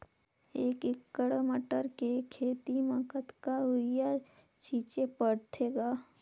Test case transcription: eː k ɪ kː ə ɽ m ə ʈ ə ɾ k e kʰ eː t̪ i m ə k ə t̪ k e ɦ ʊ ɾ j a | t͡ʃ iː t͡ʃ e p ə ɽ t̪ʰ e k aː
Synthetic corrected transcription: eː k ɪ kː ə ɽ m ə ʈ ə ɾ k e kʰ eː t̪ i m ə k ə t̪ k a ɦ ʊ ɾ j a | t͡ʃ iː t͡ʃ e p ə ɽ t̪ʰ e ɡ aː